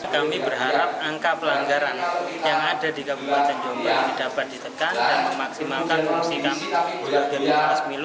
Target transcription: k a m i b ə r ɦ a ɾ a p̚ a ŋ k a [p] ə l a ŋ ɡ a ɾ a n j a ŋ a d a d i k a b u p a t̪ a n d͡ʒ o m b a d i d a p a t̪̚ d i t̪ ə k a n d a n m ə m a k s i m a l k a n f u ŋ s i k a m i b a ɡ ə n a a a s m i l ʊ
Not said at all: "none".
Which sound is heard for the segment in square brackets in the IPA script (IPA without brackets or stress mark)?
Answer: p